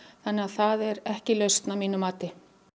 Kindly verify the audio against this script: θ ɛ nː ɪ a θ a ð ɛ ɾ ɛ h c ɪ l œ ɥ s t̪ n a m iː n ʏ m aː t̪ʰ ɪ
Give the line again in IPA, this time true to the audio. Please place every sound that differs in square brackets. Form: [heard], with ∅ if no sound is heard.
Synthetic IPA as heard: θ [a] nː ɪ a θ a ð ɛ ɾ ɛ h c ɪ l œ ɥ s t̪ n a m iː n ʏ m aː [t̪] ɪ